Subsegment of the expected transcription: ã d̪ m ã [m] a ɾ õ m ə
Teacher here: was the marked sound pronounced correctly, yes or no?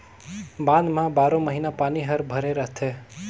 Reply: no